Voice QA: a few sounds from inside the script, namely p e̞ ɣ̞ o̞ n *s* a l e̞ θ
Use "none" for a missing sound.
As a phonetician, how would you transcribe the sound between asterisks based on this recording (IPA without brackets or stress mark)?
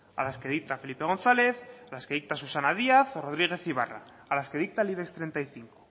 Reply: θ